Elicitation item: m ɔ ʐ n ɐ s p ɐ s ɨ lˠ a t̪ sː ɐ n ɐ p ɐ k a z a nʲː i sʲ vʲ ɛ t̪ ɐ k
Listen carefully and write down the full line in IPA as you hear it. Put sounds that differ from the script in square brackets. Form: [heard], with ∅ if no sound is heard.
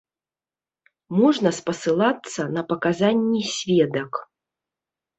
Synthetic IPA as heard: m ɔ ʐ n ɐ s p ɐ s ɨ lˠ a t̪ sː ɐ n ɐ p ɐ k a z a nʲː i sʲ vʲ ɛ [d̪] ɐ k